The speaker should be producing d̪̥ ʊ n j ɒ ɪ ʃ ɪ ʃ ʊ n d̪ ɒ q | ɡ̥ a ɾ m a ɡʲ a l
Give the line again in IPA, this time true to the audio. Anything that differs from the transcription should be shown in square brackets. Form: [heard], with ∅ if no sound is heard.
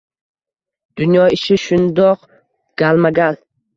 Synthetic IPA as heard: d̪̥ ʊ n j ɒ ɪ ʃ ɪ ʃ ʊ n d̪ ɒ q | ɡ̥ a [l] m a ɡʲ a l

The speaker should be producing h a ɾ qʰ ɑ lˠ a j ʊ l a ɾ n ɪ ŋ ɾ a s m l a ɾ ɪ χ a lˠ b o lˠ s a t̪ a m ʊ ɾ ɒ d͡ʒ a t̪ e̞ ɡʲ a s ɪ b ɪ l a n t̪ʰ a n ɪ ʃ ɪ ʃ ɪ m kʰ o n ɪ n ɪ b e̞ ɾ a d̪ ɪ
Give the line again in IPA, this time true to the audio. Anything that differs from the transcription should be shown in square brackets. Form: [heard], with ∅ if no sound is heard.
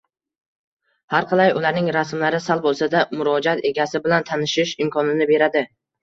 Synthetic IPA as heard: h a ɾ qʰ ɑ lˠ a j ʊ l a ɾ n ɪ ŋ ɾ a s m l a ɾ ɪ [s] a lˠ b o lˠ s a [d̪] a m ʊ ɾ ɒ d͡ʒ a t̪ e̞ ɡʲ a s ɪ b ɪ l a n t̪ʰ a n ɪ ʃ ɪ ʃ ɪ m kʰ [ɒ] n ɪ n ɪ b e̞ ɾ a d̪ ɪ

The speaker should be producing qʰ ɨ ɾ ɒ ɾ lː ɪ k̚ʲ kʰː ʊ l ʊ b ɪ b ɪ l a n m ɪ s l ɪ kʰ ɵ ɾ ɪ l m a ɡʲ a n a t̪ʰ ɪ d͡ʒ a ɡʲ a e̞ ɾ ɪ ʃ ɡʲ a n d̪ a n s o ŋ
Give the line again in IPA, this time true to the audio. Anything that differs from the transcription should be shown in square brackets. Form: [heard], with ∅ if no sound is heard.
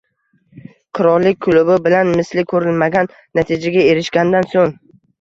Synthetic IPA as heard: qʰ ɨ ɾ ɒ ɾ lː ɪ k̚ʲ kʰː ʊ l ʊ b ɪ b ɪ l a n m ɪ s l ɪ kʰ ɵ ɾ ɪ l m a ɡʲ a [nː] a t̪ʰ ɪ d͡ʒ a ɡʲ a e̞ ɾ ɪ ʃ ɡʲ a n d̪ a n s o ŋ

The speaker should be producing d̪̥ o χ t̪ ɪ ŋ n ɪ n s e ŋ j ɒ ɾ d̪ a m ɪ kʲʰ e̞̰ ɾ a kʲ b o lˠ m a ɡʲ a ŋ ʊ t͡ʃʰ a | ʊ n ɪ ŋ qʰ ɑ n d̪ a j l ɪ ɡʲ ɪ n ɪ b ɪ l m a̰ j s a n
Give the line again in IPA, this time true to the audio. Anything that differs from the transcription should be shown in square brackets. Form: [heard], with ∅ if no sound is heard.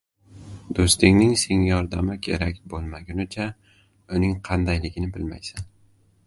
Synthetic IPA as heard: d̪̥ o [s] t̪ ɪ ŋ n ɪ [ŋ] s e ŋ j ɒ ɾ d̪ a m ɪ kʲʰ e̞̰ ɾ a kʲ b o lˠ m a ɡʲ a [n] ʊ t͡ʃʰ a | ʊ n ɪ ŋ qʰ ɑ n d̪ a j l ɪ ɡʲ ɪ n ɪ b ɪ l m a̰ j s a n

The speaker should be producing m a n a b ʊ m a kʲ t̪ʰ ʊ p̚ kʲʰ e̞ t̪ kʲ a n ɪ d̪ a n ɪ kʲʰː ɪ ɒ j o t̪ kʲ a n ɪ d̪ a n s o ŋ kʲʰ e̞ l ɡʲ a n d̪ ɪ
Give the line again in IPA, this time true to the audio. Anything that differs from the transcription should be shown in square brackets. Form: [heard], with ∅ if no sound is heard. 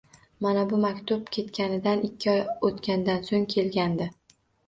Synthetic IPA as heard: m a n a b ʊ m a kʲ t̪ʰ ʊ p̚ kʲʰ e̞ t̪ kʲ a n ɪ d̪ a n ɪ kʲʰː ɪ ɒ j o t̪ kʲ a n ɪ d̪ a n s o ŋ kʲʰ e̞ l ɡʲ a n d̪ ɪ

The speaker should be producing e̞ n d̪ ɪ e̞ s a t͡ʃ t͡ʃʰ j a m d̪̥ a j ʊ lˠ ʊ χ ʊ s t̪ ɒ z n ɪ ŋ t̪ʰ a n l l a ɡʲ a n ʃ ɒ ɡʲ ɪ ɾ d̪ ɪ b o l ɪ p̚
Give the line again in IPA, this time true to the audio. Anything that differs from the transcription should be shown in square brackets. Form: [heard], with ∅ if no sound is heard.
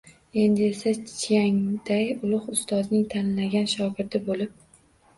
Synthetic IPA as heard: e̞ n d̪ ɪ e̞ s a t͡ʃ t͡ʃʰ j a [ŋ] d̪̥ a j ʊ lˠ ʊ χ ʊ s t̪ ɒ z n ɪ ŋ t̪ʰ a n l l a ɡʲ a n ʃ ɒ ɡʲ ɪ ɾ d̪ ɪ b o l ɪ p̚

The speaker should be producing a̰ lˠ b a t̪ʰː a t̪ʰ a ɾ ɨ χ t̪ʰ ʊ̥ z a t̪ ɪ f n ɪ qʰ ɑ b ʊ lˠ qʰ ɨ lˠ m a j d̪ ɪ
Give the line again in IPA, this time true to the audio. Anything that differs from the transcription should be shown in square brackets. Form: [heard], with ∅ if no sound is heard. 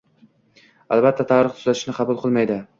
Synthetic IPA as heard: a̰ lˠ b a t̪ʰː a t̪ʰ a ɾ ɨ χ t̪ʰ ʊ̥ z a t̪ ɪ [ʃ] n ɪ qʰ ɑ b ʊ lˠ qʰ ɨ lˠ m a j d̪ ɪ

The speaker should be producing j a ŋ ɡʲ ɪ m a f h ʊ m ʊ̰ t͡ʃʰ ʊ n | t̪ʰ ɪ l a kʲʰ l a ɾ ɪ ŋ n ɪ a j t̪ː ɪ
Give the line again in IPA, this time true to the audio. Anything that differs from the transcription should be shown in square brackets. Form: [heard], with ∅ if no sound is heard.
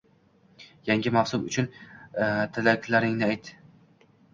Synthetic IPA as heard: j a ŋ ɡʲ ɪ m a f [s] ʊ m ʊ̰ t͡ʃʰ ʊ n | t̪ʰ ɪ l a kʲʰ l a ɾ ɪ ŋ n ɪ a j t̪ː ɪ

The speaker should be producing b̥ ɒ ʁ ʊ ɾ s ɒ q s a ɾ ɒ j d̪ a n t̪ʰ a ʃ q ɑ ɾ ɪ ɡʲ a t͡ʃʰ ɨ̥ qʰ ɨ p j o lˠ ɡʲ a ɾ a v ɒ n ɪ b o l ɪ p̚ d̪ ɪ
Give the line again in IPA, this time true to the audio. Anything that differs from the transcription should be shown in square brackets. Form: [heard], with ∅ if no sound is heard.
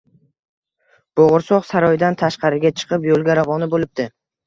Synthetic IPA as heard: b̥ [o] ʁ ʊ ɾ s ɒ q s a ɾ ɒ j d̪ a n t̪ʰ a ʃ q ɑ ɾ ɪ ɡʲ a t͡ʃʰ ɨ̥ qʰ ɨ p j o lˠ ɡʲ a ɾ a v ɒ n ɪ b o l ɪ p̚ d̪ ɪ

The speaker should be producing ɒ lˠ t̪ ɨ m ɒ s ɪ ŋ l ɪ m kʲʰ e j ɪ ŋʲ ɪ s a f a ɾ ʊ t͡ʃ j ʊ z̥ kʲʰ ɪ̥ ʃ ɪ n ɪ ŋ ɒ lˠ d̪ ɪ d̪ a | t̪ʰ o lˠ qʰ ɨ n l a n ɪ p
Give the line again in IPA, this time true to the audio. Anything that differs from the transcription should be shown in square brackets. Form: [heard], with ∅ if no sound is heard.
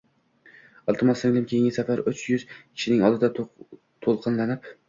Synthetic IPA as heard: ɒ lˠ t̪ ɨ m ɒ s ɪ ŋ l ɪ m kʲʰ e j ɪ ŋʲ ɪ s a f a ɾ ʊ t͡ʃ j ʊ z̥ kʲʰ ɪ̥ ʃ ɪ n ɪ ŋ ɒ lˠ d̪ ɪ d̪ a | t̪ʰ o lˠ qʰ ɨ n l a n ɪ p

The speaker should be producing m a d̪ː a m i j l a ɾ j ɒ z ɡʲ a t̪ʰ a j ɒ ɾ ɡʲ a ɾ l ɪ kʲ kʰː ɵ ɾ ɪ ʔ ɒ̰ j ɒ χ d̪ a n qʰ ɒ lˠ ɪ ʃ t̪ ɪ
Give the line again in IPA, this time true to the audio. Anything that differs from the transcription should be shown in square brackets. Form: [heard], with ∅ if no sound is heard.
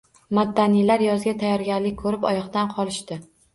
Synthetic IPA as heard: m a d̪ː a [n] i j l a ɾ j ɒ z ɡʲ a t̪ʰ a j ɒ ɾ ɡʲ a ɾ l ɪ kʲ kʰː ɵ ɾ ɪ [p] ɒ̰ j ɒ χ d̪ a n qʰ ɒ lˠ ɪ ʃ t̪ ɪ

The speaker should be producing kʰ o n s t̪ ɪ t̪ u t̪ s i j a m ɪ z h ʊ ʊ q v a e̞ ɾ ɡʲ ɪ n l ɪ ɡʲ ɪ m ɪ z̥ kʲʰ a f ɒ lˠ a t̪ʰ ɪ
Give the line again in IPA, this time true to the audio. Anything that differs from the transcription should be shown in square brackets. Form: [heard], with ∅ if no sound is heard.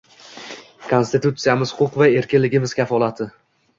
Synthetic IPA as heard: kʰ o n s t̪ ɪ t̪ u t̪ s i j a m ɪ z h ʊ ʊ q v a e̞ ɾ [kʲ] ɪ n l ɪ ɡʲ ɪ m ɪ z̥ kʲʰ a f ɒ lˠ a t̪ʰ ɪ

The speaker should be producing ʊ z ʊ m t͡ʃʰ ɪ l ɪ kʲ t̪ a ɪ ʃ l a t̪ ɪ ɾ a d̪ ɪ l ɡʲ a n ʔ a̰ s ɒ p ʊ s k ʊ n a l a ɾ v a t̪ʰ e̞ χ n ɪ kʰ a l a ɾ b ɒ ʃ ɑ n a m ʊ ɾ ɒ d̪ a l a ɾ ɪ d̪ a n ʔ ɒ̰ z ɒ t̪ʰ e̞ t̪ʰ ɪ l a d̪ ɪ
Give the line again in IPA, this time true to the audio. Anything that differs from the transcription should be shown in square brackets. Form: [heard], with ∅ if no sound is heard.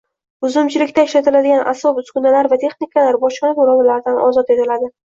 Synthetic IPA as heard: ʊ z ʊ m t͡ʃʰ ɪ l ɪ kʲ t̪ a ɪ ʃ l a t̪ ɪ [l] a d̪ ɪ [∅] ɡʲ a n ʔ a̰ s ɒ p ʊ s k ʊ n a l a ɾ v a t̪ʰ e̞ χ n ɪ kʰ a l a ɾ b ɒ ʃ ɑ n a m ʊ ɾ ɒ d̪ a l a ɾ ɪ d̪ a n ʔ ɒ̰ z ɒ [t̪] e̞ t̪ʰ ɪ l a d̪ ɪ

